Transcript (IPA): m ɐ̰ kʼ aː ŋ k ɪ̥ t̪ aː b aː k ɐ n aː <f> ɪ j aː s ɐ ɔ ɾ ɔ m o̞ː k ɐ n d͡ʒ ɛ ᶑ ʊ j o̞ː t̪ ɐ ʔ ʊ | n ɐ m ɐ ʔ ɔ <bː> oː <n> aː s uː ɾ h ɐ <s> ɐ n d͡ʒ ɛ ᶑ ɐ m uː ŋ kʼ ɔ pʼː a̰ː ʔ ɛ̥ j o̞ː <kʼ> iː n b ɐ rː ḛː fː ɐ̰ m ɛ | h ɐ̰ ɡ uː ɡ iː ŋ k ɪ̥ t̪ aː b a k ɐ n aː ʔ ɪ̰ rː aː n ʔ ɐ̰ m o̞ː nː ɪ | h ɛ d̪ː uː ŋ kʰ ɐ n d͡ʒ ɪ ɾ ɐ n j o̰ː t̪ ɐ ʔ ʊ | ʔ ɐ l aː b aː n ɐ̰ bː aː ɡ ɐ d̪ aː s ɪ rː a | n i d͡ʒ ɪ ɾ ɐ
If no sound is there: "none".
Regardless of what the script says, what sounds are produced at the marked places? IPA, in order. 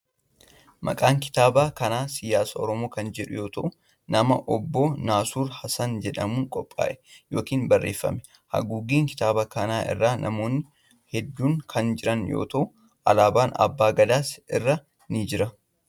s, bː, n, s, k

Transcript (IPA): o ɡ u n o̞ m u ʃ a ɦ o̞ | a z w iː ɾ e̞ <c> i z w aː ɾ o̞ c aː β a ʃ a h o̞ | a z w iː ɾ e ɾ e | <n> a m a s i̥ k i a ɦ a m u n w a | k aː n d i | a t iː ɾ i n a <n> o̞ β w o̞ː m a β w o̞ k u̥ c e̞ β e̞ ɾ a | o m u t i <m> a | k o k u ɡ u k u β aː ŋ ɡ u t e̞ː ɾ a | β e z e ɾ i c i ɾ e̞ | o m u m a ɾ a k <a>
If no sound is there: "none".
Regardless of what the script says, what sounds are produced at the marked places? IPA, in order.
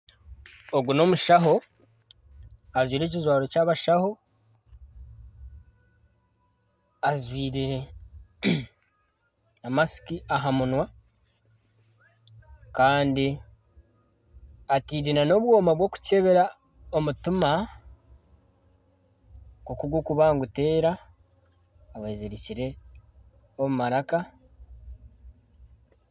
c, n, n, m, a

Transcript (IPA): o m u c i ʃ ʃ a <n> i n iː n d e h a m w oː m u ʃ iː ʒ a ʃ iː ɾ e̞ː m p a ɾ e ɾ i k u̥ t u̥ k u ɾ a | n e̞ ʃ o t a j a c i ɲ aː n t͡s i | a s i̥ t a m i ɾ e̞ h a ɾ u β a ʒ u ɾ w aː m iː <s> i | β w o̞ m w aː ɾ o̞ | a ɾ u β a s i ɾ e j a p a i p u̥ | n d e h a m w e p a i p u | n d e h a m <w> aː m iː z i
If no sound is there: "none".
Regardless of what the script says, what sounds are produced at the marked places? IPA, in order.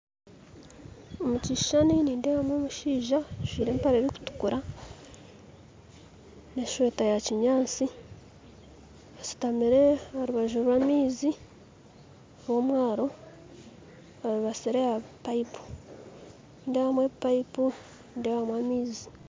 n, z, w

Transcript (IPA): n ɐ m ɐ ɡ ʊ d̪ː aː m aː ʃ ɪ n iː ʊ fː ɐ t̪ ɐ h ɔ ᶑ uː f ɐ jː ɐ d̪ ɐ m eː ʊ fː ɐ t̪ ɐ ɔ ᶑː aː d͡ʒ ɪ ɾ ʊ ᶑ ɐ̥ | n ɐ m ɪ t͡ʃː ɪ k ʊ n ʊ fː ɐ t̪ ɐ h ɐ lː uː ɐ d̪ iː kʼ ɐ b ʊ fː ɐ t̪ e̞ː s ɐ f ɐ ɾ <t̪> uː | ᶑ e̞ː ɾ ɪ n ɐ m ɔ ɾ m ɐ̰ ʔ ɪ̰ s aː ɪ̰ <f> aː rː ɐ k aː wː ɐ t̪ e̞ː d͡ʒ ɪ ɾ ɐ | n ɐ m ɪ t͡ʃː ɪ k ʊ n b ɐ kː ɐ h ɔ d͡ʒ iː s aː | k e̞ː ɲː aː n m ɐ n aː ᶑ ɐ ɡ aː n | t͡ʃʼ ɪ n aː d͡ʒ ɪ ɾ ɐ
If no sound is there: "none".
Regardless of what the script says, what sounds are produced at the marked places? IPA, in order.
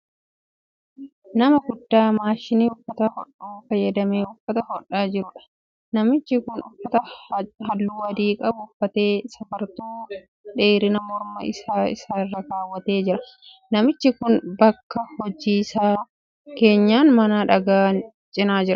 t̪, s

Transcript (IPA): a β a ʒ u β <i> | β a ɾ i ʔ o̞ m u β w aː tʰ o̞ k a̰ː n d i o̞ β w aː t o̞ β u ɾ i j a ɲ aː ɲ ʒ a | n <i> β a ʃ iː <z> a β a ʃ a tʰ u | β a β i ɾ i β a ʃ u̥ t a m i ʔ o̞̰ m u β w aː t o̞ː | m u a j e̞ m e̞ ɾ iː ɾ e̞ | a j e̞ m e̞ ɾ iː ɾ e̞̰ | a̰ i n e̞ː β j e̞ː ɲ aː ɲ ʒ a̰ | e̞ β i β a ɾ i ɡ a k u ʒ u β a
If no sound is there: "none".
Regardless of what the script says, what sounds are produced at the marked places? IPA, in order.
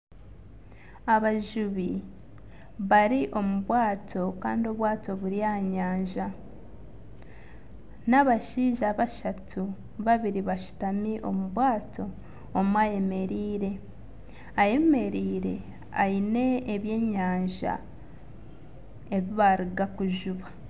i, a, ʒ

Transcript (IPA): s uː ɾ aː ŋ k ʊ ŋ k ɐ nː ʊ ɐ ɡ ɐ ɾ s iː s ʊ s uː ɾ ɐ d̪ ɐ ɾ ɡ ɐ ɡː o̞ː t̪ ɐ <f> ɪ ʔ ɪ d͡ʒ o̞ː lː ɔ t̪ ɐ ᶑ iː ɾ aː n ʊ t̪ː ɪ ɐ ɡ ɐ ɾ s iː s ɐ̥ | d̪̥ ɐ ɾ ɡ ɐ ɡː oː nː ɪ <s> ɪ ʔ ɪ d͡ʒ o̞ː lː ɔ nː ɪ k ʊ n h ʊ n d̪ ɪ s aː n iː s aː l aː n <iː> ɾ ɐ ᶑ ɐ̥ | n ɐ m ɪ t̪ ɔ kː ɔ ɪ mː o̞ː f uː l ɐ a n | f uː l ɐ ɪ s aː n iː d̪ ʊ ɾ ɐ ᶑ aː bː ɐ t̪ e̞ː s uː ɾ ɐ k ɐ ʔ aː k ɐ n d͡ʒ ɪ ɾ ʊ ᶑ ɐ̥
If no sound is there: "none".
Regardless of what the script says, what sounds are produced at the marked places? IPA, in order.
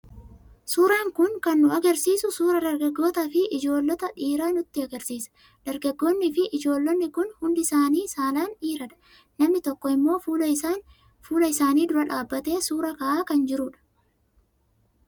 f, f, iː

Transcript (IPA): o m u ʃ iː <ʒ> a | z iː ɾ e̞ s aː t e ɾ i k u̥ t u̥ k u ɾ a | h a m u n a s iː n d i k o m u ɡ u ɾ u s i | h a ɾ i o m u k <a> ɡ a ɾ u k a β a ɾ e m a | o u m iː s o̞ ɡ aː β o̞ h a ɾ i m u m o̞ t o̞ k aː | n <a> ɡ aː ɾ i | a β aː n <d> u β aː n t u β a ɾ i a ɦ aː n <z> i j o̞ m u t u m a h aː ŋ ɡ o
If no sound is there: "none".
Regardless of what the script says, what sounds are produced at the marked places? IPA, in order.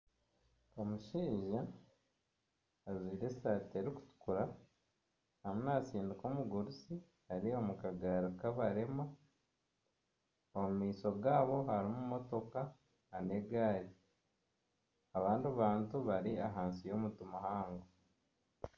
ʒ, a, e, d, s

